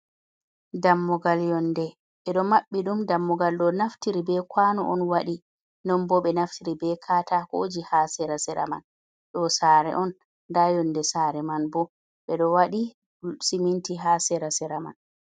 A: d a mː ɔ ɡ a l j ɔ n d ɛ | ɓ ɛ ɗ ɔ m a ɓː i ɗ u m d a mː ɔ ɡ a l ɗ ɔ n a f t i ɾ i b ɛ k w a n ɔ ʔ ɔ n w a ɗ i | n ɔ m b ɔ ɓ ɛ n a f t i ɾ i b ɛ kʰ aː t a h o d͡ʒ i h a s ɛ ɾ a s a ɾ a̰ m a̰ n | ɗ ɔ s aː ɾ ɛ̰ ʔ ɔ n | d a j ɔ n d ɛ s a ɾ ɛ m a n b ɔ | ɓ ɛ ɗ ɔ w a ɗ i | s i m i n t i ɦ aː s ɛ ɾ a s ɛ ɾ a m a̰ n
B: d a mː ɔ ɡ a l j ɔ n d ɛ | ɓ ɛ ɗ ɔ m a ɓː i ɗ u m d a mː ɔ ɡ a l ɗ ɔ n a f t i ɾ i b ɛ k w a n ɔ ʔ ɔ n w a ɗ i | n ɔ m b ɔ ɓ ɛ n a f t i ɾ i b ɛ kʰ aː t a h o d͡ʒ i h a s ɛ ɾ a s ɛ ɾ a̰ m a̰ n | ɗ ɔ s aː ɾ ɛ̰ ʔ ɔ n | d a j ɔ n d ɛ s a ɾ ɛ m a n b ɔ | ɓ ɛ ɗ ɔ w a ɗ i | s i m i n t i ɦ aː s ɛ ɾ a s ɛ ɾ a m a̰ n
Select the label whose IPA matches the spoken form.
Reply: B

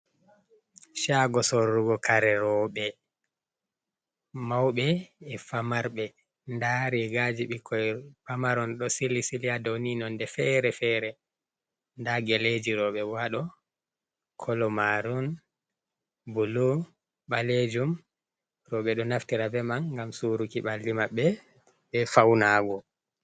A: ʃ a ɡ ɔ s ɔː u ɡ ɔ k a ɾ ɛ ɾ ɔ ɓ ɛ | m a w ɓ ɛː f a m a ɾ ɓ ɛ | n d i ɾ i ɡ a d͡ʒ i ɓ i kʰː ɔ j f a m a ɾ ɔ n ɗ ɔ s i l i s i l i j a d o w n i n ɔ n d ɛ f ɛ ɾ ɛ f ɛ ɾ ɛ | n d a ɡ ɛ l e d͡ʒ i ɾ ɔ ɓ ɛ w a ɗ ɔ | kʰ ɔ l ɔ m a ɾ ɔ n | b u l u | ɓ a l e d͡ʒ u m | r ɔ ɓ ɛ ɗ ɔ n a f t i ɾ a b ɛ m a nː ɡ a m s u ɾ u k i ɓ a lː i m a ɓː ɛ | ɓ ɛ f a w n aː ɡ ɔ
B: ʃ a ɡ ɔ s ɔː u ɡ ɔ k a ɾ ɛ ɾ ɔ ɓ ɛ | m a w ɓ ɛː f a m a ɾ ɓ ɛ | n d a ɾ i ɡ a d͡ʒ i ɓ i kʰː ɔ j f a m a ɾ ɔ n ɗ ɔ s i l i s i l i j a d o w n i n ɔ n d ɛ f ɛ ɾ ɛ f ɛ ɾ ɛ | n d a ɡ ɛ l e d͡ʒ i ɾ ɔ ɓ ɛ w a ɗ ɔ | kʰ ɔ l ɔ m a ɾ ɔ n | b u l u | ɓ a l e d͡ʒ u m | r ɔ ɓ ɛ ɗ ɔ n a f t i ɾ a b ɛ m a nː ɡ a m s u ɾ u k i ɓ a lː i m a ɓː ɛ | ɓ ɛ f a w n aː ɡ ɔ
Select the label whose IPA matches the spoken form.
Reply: B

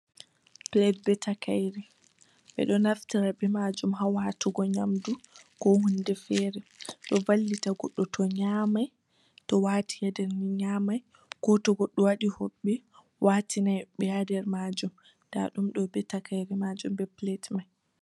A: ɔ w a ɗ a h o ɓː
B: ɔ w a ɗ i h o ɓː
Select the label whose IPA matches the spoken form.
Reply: B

